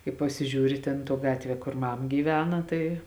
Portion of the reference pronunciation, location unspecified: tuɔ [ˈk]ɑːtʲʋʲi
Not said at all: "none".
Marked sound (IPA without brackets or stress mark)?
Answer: ɡ